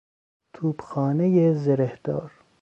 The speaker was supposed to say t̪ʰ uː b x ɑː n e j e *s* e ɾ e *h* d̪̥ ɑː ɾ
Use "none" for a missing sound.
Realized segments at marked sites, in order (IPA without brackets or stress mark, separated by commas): z, h